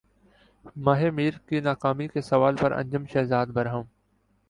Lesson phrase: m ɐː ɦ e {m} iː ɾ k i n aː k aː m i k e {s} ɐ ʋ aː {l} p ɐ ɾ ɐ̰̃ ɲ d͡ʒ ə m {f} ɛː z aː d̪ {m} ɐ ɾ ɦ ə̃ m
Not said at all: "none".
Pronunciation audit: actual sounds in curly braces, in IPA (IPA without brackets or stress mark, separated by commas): m, s, l, ʃ, b